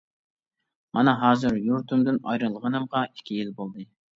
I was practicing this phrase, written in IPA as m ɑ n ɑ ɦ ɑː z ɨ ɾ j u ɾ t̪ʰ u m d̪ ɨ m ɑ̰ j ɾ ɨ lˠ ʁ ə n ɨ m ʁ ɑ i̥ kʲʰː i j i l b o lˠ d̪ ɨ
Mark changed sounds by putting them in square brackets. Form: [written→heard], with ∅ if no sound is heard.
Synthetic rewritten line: m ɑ n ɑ ɦ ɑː z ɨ ɾ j u ɾ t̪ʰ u m d̪ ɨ [m→n] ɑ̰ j ɾ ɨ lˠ ʁ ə n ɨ m ʁ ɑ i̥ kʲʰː i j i l b o lˠ d̪ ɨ